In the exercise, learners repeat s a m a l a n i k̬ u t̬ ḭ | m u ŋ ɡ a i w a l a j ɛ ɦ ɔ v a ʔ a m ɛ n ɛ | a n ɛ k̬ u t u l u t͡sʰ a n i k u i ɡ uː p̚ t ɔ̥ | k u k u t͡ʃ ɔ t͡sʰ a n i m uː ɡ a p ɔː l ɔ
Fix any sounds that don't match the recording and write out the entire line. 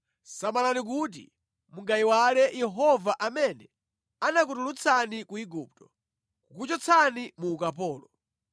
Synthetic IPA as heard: s a m a l a n i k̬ u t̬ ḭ | m u ŋ ɡ a i w a l ɛ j ɛ ɦ ɔ v a ʔ a m ɛ n ɛ | a n a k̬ u t u l u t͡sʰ a n i k u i ɡ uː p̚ t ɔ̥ | k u k u t͡ʃ ɔ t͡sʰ a n i m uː k a p ɔː l ɔ